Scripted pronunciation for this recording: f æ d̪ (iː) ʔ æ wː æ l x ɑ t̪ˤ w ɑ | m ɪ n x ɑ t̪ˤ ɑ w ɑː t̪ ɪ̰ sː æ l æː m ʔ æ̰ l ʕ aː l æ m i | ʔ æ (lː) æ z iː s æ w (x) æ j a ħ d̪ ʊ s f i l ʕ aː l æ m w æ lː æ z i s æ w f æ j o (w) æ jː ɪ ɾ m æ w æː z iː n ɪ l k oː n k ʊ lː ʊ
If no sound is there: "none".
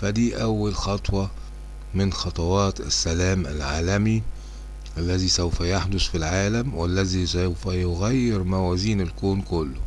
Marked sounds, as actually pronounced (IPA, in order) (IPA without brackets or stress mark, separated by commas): iː, lː, f, ɣ